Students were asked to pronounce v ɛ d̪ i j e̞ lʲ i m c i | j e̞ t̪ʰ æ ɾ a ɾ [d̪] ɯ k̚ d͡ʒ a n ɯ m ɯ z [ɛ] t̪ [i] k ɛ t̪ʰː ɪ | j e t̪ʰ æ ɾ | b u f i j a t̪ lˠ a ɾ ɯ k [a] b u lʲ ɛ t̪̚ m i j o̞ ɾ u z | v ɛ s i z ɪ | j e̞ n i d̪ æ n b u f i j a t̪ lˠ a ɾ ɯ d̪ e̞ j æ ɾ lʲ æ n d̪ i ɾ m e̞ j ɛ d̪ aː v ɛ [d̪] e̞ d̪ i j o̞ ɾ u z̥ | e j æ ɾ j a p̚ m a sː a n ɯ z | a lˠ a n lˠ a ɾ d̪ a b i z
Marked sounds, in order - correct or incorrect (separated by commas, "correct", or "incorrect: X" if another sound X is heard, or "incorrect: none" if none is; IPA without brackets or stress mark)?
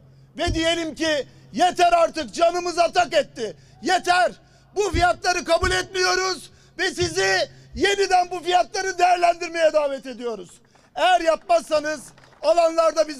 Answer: incorrect: t̪, incorrect: a, incorrect: a, correct, incorrect: t̪